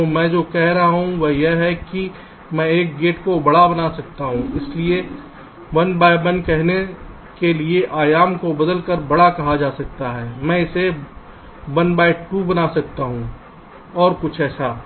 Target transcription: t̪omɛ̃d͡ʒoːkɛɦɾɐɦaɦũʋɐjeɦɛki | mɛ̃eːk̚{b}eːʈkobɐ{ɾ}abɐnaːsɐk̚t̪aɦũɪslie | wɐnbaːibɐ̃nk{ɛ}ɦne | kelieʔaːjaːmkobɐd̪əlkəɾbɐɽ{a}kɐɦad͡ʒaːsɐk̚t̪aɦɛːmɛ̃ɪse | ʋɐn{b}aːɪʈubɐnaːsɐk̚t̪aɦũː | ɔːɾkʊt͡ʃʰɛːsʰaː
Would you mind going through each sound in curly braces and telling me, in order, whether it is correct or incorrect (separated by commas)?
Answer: incorrect, incorrect, correct, correct, correct